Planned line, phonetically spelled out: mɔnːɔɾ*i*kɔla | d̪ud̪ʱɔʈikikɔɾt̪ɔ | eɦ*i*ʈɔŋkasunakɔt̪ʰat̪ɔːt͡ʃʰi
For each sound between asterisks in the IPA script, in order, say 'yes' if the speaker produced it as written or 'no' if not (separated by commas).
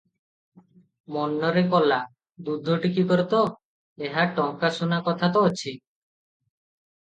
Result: no, no